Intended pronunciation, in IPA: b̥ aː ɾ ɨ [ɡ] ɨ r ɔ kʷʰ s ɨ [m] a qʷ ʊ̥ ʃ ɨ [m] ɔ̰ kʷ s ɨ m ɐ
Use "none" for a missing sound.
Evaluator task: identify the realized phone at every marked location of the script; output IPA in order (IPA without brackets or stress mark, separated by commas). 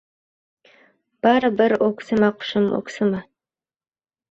b, m, m